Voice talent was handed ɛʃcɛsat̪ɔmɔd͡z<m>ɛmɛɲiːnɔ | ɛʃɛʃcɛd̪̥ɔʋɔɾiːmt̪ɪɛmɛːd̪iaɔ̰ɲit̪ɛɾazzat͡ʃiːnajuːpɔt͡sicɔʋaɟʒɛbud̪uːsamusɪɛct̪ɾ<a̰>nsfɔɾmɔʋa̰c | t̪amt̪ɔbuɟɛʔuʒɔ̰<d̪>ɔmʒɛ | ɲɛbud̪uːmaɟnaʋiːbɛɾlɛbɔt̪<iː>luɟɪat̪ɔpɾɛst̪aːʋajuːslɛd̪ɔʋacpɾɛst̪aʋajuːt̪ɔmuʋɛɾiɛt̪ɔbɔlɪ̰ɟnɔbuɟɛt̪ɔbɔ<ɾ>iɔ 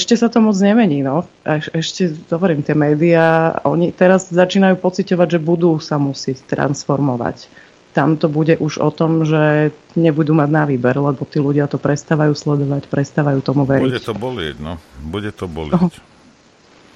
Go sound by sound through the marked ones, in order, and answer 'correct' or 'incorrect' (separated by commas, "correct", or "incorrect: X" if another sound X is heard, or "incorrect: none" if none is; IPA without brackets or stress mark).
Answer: incorrect: ɲ, correct, incorrect: t̪, correct, incorrect: l